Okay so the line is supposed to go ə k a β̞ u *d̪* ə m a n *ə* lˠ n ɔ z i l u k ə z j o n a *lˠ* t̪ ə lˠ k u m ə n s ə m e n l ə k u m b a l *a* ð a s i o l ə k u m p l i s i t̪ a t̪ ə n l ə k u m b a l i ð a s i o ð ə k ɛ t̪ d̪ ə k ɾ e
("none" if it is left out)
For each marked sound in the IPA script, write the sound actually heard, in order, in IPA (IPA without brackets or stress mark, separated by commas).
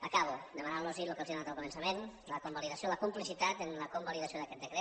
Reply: d̪, a, none, i